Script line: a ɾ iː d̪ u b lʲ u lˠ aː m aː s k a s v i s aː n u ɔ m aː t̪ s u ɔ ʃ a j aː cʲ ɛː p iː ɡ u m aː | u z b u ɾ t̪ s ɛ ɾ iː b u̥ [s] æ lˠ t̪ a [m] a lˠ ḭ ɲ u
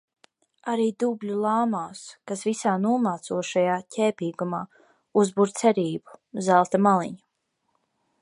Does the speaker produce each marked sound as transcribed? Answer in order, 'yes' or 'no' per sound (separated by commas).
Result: no, yes